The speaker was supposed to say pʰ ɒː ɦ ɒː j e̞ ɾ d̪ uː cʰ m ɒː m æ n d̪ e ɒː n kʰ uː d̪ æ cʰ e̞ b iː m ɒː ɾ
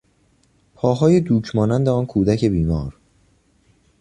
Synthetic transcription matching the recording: pʰ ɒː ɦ ɒː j e̞ d̪ uː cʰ m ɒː n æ n d̪ e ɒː n kʰ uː d̪ æ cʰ e̞ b iː m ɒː ɾ

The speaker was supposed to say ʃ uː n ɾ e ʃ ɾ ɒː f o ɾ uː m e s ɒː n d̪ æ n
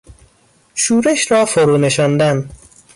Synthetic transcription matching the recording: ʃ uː ɾ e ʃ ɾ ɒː f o ɾ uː n e ʃ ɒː n d̪ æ n

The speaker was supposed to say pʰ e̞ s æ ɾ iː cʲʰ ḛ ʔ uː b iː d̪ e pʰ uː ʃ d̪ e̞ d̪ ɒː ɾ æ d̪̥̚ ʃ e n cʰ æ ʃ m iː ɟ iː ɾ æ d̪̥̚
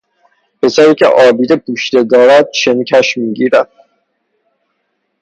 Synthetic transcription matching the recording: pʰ e̞ s æ ɾ iː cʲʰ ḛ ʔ ɒː b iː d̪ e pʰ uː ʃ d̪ e̞ d̪ ɒː ɾ æ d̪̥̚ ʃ e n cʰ æ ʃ m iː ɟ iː ɾ æ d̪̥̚

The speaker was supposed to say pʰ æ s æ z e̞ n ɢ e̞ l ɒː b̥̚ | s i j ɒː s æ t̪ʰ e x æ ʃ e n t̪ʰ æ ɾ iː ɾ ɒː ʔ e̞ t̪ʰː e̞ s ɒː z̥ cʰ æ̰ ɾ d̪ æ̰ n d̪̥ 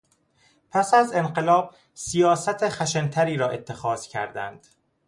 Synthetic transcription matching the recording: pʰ æ s æ z e̞ n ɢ e̞ l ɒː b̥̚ | s i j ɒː s æ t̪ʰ e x æ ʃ e n t̪ʰ æ ɾ iː ɾ ɒː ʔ e̞ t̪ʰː e̞ x ɒː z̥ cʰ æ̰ ɾ d̪ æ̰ n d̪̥

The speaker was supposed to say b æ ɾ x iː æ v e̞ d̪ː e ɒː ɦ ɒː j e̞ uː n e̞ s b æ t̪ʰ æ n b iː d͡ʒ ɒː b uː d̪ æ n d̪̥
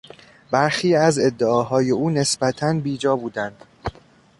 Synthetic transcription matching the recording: b æ ɾ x iː æ z e̞ d̪ː e ɒː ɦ ɒː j e̞ uː n e̞ s b æ t̪ʰ æ n b iː d͡ʒ ɒː b uː d̪ æ n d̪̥

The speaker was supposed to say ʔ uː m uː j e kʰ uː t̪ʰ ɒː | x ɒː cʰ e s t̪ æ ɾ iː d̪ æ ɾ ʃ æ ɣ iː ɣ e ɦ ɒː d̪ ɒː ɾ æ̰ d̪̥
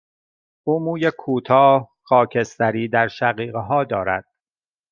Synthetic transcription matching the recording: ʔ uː m uː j e kʰ uː t̪ʰ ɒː | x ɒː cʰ e s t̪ æ ɾ iː d̪ æ ɾ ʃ æ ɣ iː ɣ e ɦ ɒː d̪ ɒː ɾ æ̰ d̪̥

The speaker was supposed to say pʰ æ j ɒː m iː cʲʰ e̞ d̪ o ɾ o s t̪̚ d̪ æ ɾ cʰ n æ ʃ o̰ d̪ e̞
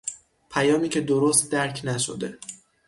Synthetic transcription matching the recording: pʰ æ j ɒː m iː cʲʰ e̞ d̪ o ɾ o s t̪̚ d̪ æ ɾ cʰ n æ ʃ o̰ d̪ e̞

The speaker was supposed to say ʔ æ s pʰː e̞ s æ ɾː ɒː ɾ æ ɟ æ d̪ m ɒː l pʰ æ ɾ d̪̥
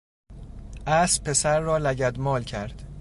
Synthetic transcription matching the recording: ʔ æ s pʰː e̞ s æ ɾː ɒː l æ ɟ æ d̪ m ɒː l cʰ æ ɾ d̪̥

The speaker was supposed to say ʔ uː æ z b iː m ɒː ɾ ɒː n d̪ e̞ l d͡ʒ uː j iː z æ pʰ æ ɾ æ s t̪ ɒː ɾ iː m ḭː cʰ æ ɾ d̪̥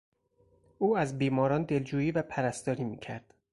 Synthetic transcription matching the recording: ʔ uː æ z b iː m ɒː ɾ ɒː n d̪ e̞ l d͡ʒ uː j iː v æ pʰ æ ɾ æ s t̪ ɒː ɾ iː m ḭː cʰ æ ɾ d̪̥

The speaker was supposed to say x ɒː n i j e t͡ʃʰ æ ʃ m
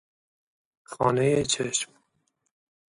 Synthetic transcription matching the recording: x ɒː n e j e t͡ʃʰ e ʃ m

